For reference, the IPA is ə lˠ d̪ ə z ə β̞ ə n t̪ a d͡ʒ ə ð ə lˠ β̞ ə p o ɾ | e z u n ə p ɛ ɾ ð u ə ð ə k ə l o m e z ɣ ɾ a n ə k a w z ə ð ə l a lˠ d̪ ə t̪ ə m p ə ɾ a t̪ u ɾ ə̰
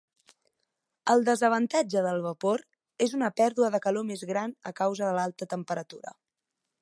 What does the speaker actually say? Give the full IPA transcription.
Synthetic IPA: ə lˠ d̪ ə z ə β̞ ə n t̪ a d͡ʒ ə ð ə lˠ β̞ ə p o ɾ | e z u n ə p ɛ ɾ ð u ə ð ə k ə l o m e z ɣ ɾ a n ə k a w z ə ð ə l a lˠ t̪ ə t̪ ə m p ə ɾ ə t̪ u ɾ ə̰